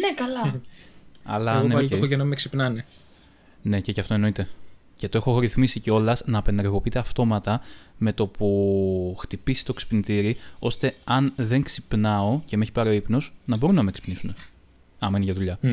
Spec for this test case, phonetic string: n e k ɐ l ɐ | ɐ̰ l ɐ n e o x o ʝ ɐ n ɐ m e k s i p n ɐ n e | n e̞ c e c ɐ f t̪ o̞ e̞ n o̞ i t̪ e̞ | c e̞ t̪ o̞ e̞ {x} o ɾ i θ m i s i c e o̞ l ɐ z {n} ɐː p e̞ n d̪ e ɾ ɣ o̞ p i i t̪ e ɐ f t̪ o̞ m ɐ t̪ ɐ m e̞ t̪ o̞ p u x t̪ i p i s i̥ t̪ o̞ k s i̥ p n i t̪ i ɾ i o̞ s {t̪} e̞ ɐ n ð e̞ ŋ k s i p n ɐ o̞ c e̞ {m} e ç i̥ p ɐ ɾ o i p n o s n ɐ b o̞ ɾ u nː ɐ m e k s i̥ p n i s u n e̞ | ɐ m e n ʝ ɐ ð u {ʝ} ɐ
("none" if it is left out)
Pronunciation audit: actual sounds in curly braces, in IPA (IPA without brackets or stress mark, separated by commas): x, n, t̪, m, ʎ